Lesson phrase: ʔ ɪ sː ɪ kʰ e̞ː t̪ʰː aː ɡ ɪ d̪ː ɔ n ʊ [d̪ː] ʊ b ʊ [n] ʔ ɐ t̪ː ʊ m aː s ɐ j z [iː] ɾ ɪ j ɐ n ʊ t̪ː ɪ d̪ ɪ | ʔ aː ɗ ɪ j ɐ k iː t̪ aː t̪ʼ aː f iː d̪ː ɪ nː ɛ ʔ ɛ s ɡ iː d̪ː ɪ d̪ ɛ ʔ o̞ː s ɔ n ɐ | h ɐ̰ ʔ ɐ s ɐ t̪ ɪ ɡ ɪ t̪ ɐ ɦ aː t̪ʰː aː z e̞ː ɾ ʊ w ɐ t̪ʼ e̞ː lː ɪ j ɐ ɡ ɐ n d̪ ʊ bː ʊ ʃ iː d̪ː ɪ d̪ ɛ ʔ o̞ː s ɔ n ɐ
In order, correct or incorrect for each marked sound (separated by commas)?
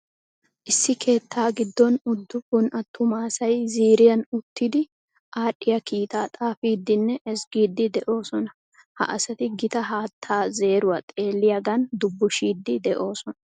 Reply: correct, correct, correct